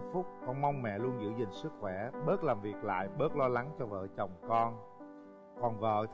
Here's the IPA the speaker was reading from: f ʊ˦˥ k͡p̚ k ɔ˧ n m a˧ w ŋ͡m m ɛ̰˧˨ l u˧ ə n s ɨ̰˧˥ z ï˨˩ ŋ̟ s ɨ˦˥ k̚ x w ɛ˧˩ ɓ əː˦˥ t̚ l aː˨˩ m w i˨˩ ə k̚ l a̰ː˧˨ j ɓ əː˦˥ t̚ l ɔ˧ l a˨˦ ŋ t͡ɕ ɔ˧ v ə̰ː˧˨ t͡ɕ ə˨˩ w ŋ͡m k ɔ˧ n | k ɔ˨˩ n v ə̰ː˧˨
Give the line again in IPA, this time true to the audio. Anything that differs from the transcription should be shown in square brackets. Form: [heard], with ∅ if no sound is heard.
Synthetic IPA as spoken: f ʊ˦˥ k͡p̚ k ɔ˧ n m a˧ w ŋ͡m m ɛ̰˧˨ l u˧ ə n [z] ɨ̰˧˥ z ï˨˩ ŋ̟ s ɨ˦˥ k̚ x w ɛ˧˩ ɓ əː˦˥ t̚ l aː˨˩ m [v] i˨˩ ə k̚ l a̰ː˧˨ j ɓ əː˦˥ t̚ l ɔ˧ l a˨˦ ŋ t͡ɕ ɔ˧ v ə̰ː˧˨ t͡ɕ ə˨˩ w ŋ͡m k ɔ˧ n | k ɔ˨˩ n v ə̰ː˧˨